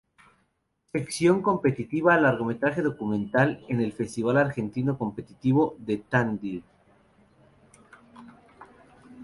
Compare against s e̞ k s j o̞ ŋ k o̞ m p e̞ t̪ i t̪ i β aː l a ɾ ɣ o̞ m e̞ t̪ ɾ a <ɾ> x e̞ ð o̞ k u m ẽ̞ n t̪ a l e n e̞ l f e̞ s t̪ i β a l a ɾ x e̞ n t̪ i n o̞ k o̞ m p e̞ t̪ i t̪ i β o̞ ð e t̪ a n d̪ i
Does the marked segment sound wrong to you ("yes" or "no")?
yes